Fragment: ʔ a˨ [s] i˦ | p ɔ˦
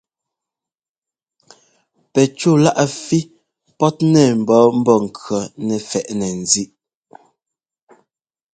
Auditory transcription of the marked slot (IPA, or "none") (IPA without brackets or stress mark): f